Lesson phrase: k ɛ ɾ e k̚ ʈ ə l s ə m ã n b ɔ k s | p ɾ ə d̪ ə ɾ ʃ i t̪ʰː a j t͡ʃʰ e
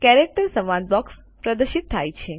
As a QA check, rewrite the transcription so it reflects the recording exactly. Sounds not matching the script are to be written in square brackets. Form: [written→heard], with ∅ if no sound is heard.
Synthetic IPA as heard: k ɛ ɾ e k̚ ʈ ə [l→ɾ] s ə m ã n b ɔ k s | p ɾ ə d̪ ə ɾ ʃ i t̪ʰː a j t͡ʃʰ e